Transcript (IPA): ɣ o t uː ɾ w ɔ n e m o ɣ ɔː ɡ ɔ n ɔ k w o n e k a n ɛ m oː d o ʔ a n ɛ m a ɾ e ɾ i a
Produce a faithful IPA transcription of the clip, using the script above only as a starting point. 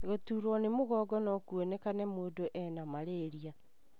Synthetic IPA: ɣ o t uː ɾ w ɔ n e m o ɣ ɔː ɡ ɔ n ɔ k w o n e k a n ɛ m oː d o ʔ ɛ n a m a ɾ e ɾ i a